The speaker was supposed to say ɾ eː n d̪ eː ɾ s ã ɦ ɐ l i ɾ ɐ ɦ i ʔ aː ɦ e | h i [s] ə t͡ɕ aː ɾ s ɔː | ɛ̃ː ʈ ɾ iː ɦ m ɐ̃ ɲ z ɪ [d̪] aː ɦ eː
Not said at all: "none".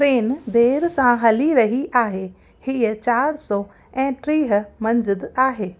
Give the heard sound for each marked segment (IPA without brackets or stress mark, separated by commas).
none, d̪